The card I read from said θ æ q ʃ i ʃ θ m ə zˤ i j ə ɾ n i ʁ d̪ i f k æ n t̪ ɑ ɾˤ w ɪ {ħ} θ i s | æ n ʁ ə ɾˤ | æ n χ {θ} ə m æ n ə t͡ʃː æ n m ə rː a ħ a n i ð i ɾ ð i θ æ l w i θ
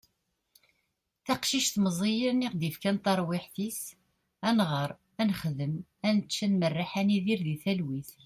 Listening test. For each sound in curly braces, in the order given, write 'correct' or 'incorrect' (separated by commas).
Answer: correct, incorrect